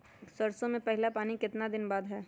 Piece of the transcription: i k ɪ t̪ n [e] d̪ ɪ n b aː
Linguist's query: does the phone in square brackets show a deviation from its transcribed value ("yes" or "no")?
yes